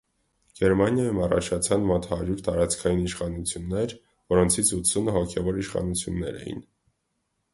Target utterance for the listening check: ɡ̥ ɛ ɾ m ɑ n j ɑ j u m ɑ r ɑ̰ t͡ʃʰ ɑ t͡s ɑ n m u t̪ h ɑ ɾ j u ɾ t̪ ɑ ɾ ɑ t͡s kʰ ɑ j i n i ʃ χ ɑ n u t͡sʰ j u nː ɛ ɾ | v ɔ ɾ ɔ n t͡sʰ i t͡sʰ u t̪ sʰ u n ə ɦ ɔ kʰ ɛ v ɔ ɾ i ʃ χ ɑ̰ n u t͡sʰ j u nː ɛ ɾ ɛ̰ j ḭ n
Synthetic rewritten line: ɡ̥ ɛ ɾ m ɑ n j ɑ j u m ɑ r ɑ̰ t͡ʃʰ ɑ t͡sʰ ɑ n m ɔ t̪ h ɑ ɾ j u ɾ t̪ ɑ ɾ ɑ t͡s kʰ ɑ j i n i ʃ χ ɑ n u t͡sʰ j u nː ɛ ɾ | v ɔ ɾ ɔ n t͡sʰ i t͡sʰ u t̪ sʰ u n ə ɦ ɔ kʰ ɛ v ɔ ɾ i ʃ χ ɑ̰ n u t͡sʰ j u nː ɛ ɾ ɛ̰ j ḭ n